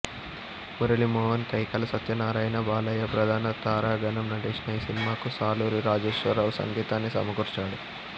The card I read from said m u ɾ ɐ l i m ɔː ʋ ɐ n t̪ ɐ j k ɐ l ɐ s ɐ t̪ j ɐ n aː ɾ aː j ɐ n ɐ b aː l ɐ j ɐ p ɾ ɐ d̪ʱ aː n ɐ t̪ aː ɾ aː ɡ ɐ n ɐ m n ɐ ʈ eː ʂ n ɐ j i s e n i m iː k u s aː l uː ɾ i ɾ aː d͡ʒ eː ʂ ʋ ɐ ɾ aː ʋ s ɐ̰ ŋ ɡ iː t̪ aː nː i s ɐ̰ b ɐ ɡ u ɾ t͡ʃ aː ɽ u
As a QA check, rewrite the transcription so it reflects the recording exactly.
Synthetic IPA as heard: m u ɾ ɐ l i m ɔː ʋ ɐ n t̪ ɐ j k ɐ l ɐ s ɐ t̪ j ɐ n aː ɾ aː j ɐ n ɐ b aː l ɐ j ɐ p ɾ ɐ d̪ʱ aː n ɐ t̪ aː ɾ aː ɡ ɐ n ɐ m n ɐ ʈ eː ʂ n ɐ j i s i n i m aː k u s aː l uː ɾ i ɾ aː d͡ʒ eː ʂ ʋ ɐ ɾ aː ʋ s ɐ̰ ŋ ɡ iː t̪ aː nː i s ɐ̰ m ɐ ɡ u ɾ t͡ʃ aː ɽ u